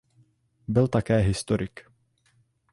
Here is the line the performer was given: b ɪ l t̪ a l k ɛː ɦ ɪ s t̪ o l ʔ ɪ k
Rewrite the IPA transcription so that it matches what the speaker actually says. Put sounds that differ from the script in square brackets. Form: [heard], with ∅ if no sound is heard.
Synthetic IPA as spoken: b ɪ l t̪ a [∅] k ɛː ɦ ɪ s t̪ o [ɾ] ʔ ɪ k